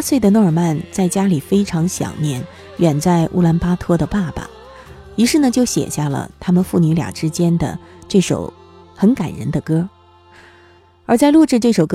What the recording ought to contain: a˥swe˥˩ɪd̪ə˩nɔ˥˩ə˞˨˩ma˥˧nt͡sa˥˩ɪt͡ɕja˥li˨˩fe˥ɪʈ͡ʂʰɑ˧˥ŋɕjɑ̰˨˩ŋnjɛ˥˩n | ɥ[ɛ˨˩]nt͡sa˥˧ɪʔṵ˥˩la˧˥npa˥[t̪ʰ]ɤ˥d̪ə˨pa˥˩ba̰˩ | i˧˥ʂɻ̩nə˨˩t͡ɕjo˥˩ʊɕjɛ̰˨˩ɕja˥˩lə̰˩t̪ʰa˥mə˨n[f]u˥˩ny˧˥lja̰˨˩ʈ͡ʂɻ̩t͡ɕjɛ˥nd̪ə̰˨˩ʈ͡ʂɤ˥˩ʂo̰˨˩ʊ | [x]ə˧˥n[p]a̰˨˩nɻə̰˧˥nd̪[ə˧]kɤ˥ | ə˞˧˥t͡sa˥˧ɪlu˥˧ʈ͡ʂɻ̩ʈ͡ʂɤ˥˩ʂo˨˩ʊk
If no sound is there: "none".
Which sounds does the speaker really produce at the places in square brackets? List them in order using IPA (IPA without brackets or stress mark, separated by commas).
ɛ˨˩, t̪ʰ, f, x, k, ə˧